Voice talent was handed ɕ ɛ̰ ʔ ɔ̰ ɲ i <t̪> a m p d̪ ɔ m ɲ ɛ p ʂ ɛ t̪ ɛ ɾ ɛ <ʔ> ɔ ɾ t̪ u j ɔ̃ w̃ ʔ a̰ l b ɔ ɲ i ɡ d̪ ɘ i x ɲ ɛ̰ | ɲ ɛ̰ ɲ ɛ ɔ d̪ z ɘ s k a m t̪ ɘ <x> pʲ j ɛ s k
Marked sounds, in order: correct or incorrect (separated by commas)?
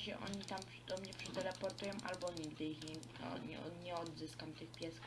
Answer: correct, incorrect, correct